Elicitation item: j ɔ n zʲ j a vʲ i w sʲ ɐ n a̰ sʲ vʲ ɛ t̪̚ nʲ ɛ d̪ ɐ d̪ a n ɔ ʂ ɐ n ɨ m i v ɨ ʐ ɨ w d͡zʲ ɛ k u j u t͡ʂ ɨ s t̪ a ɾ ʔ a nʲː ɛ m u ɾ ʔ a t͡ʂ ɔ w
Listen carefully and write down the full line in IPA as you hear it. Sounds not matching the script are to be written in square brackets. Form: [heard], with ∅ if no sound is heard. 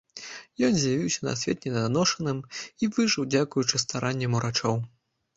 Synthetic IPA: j ɔ n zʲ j a vʲ i w sʲ ɐ n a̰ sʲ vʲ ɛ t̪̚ nʲ ɛ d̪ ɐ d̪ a n ɔ ʂ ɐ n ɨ m i v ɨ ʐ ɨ w d͡zʲ [a] k u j u t͡ʂ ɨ s t̪ a ɾ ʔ a nʲː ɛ m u ɾ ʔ a t͡ʂ ɔ w